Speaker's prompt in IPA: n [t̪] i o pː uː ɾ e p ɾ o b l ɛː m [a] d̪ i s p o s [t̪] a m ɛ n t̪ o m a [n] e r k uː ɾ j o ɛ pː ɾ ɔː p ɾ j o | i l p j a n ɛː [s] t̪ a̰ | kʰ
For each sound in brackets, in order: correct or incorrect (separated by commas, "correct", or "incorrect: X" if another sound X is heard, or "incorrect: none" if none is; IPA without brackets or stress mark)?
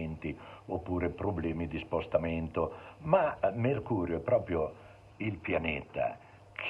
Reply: correct, incorrect: i, correct, incorrect: m, incorrect: none